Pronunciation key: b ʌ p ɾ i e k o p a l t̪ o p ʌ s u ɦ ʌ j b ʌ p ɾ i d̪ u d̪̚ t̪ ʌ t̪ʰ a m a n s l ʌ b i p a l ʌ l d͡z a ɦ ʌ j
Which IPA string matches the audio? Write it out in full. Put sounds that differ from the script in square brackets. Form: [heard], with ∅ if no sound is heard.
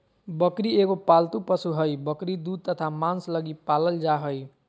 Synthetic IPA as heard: b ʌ [k] ɾ i e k o p a l t̪ [u] p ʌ s u ɦ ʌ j b ʌ [k] ɾ i d̪ u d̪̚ t̪ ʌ t̪ʰ a m a n s l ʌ [ɡ] i p a l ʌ l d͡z a ɦ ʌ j